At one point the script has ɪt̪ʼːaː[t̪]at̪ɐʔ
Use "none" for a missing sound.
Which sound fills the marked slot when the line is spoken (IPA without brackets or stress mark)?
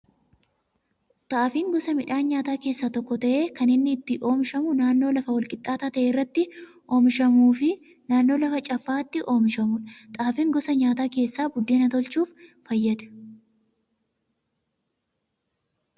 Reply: t̪